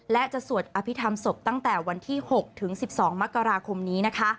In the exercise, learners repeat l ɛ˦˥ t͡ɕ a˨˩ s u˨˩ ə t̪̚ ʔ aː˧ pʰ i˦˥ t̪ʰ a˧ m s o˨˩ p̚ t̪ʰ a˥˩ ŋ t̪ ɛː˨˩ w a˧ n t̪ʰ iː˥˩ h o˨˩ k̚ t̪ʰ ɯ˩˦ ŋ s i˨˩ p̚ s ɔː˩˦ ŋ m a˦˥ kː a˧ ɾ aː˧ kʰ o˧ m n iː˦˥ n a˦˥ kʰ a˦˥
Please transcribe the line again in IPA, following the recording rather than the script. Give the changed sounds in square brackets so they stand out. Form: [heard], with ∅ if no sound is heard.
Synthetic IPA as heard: l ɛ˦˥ t͡ɕ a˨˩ s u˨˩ ə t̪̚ ʔ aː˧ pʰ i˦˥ t̪ʰ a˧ m s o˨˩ p̚ [t̪] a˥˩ ŋ t̪ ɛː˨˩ w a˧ n t̪ʰ iː˥˩ h o˨˩ k̚ t̪ʰ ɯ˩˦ ŋ s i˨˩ p̚ s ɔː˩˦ ŋ m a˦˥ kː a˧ ɾ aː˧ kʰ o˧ m n iː˦˥ n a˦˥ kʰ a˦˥